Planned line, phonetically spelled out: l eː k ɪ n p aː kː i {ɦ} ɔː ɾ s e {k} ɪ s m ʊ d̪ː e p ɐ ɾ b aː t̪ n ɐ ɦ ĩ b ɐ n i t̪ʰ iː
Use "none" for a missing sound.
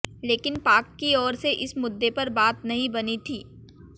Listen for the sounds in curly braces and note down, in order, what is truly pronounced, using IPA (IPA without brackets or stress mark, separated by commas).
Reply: none, ʔ